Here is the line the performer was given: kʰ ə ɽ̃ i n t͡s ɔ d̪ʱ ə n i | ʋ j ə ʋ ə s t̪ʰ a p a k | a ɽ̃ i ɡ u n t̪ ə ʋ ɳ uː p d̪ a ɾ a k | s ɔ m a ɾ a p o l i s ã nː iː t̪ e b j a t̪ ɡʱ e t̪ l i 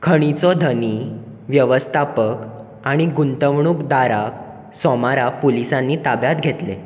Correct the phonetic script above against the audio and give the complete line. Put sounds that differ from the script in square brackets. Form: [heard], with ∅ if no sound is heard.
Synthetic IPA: kʰ ə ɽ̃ i [∅] t͡s ɔ d̪ʱ ə n i | ʋ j ə ʋ ə s t̪ʰ a p [ə] k | a ɽ̃ i ɡ u n t̪ ə ʋ ɳ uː [k] d̪ a ɾ a k | s ɔ m a ɾ a p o l i s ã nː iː t̪ [a] b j a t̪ ɡʱ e t̪ l [e]

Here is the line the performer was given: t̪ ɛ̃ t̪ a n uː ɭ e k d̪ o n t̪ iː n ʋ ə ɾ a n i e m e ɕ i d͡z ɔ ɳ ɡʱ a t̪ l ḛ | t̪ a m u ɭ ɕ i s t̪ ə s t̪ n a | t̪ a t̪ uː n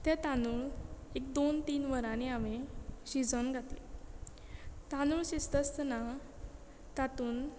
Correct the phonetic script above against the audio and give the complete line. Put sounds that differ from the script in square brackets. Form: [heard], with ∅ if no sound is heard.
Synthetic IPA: t̪ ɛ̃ t̪ a n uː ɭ e k d̪ o n t̪ iː n ʋ ə ɾ a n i [a] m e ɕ i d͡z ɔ [n] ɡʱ a t̪ l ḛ | t̪ a [n] u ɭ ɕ i s t̪ ə s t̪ n a | t̪ a t̪ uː n

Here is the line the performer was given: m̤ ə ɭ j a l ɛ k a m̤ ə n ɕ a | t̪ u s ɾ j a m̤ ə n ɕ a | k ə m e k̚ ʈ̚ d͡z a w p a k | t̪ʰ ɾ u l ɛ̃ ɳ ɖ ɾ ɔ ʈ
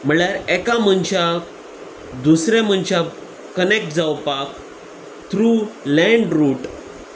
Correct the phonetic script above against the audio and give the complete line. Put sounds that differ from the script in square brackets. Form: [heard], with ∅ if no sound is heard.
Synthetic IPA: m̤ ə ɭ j a [ɾ] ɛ k a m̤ ə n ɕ a | [d̪] u s ɾ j a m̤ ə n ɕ a | k ə [n] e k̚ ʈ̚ d͡z a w p a k | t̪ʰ ɾ u l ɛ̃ ɳ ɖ ɾ [u] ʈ

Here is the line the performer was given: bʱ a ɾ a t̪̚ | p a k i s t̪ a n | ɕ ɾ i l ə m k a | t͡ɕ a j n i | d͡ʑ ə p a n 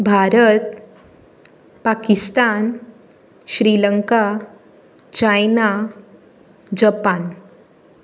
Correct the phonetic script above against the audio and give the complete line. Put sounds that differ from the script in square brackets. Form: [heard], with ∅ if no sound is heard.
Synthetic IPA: bʱ a ɾ [ə] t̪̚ | p a k i s t̪ a n | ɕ ɾ i l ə [ŋ] k a | t͡ɕ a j n [a] | d͡ʑ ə p a n

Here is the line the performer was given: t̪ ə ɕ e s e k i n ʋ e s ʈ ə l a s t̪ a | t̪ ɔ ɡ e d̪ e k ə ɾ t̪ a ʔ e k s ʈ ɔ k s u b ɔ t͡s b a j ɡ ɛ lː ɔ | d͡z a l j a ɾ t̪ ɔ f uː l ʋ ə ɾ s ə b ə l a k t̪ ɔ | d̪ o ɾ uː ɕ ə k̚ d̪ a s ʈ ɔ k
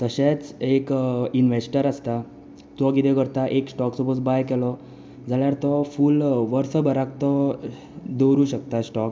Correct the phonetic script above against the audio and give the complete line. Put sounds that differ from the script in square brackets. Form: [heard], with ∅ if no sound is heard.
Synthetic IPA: t̪ ə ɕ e [t͡s] e k i n ʋ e s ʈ ə [ɾ] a s t̪ a | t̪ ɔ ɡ [i] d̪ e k ə ɾ t̪ a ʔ e k s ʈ ɔ k s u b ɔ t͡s b a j [k] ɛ [l] ɔ | d͡z a l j a ɾ t̪ ɔ f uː l ʋ ə ɾ s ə b ə [ɾ] a k t̪ ɔ | d̪ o ɾ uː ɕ ə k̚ [t̪] a s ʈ ɔ k

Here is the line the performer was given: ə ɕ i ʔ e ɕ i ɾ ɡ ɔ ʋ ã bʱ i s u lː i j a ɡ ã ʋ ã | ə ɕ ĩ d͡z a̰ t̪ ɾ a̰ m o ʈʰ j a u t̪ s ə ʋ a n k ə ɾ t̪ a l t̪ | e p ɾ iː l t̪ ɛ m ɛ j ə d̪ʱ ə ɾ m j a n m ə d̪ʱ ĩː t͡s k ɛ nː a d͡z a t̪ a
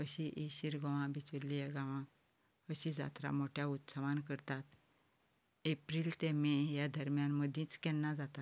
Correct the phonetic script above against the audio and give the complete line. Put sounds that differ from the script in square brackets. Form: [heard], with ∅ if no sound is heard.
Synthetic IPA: ə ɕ i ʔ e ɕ i ɾ ɡ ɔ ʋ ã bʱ i [t͡s] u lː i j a ɡ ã ʋ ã | ə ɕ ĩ d͡z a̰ t̪ ɾ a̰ m o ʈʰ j a u t̪ s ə ʋ a n k ə ɾ t̪ a [∅] t̪ | e p ɾ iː l t̪ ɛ m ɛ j [a] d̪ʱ ə ɾ m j a n m ə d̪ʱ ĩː t͡s k ɛ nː a d͡z a t̪ a

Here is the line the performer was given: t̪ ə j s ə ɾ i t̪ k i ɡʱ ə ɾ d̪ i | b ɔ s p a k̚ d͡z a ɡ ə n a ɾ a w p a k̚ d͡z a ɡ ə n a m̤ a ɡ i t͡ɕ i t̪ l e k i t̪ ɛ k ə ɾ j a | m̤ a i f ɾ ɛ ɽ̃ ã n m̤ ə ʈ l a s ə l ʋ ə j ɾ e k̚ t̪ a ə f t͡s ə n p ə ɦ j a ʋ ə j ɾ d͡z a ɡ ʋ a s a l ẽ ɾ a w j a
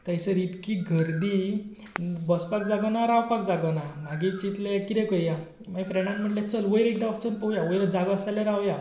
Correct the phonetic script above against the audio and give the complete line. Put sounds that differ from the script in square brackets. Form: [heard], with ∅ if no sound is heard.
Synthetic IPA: t̪ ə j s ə ɾ i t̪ k i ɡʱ ə ɾ d̪ i | b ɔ s p a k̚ d͡z a ɡ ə n a ɾ a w p a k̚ d͡z a ɡ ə n a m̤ a ɡ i t͡ɕ i t̪ l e k i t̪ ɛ k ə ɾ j a | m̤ a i f ɾ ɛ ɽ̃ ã n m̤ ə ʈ l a [t͡s] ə l ʋ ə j ɾ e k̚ [d̪] a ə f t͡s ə n p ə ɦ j a ʋ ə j ɾ d͡z a ɡ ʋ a s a l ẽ ɾ a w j a

